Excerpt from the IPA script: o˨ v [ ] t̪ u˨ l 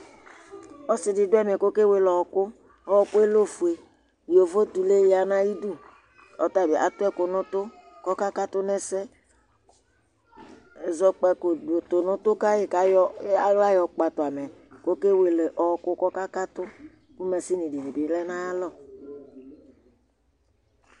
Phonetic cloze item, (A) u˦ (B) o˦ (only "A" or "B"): B